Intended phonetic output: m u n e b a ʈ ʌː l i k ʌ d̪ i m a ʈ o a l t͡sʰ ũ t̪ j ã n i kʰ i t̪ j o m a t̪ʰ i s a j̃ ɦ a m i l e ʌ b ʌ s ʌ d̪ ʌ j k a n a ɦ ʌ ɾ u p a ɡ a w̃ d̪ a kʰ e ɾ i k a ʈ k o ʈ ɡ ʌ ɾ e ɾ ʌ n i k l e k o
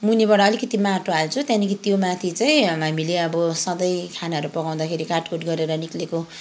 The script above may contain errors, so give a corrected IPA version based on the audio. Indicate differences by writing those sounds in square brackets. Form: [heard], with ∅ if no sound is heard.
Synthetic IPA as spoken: m u n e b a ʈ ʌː l i k ʌ [t̪] i m a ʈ o a l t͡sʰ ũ t̪ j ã n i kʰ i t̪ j o m a t̪ʰ i [t͡s] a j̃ ɦ a m i l e ʌ b ʌ s ʌ d̪ ʌ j [kʰ] a n a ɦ ʌ ɾ u p [ʌ] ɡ a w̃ d̪ a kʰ e ɾ i k a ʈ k o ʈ ɡ ʌ ɾ e ɾ ʌ n i k l e k o